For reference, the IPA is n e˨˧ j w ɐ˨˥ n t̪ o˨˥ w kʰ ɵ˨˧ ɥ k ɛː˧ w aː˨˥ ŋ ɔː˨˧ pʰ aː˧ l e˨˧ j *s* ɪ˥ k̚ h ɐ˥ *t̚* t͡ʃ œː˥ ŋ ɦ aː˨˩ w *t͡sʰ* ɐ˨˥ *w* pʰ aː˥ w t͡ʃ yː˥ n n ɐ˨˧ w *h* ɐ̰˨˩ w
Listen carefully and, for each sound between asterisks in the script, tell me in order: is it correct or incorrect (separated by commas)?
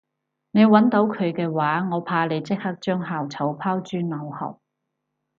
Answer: incorrect, incorrect, correct, correct, correct